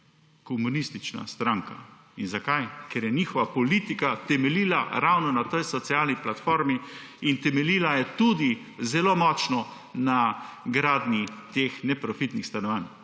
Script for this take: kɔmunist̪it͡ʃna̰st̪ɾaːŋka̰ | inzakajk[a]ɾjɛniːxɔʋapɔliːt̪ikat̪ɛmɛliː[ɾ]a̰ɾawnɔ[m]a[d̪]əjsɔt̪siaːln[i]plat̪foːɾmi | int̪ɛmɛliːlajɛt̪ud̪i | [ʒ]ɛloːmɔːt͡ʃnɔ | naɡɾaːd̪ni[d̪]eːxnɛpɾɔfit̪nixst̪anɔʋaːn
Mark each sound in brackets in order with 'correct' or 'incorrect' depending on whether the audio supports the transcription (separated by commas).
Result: incorrect, incorrect, incorrect, incorrect, correct, incorrect, incorrect